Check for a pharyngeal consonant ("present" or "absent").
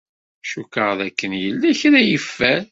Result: absent